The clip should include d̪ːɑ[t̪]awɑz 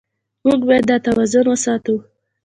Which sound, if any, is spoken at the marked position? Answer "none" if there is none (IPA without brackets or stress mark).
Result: t̪